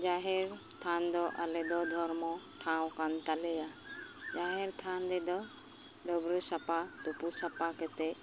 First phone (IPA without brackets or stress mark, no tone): d͡ʒ